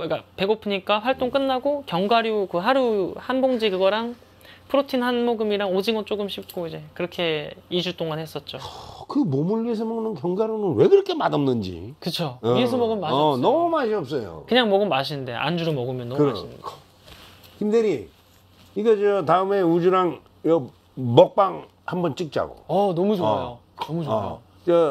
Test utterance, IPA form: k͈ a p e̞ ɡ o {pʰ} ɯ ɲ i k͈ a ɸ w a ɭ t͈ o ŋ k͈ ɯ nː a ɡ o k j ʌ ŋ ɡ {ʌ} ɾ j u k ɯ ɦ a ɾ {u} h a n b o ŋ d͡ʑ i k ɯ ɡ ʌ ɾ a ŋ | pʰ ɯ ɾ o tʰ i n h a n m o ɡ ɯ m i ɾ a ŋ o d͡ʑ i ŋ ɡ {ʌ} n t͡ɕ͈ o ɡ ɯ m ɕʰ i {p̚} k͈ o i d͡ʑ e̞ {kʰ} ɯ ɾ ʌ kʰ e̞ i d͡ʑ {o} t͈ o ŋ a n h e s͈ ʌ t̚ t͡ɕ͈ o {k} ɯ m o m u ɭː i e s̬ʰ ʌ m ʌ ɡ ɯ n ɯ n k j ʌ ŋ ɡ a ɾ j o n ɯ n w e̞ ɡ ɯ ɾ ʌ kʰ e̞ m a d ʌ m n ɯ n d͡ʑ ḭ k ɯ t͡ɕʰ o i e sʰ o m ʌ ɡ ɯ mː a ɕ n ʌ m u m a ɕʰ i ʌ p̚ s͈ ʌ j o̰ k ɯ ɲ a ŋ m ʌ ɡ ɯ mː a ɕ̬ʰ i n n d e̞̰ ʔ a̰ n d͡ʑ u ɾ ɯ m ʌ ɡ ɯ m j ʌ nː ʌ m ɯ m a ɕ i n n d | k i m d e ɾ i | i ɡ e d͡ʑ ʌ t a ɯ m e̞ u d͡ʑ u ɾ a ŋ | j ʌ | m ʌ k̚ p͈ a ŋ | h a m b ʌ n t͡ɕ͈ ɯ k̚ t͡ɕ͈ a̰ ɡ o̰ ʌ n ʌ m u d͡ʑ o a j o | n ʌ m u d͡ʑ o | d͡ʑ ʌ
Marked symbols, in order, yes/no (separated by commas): yes, no, yes, yes, yes, no, no, yes